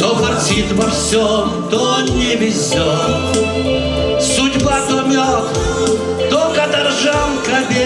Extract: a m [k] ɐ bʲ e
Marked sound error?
no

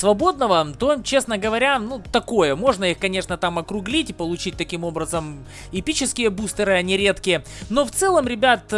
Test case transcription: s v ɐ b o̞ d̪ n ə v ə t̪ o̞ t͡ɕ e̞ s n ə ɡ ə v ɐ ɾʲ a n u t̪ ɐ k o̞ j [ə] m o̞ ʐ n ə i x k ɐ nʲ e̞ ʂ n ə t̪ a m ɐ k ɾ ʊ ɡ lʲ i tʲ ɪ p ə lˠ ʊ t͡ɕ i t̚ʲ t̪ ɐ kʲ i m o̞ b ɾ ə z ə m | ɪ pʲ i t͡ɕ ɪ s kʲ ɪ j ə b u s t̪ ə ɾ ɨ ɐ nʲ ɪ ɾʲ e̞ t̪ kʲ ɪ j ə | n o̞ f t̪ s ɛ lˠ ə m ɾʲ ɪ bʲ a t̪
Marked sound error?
no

